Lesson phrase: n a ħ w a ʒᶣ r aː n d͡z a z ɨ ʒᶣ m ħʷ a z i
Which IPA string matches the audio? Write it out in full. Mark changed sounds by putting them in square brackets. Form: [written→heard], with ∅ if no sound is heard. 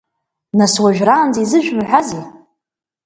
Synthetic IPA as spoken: n a [ħ→s] w a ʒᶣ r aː n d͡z [a→i] z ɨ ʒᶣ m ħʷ a z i